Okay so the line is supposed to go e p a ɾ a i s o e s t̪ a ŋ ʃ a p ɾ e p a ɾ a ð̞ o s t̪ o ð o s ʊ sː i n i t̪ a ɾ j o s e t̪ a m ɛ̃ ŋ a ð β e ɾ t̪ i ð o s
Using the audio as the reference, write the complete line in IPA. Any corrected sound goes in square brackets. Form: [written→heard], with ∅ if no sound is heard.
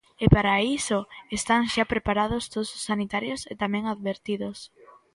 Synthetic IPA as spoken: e p a ɾ a i s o e s t̪ a ŋ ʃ a p ɾ e p a ɾ a ð̞ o s t̪ o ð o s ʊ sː [i→a] n i t̪ a ɾ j o s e t̪ a m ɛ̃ ŋ a ð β e ɾ t̪ i ð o s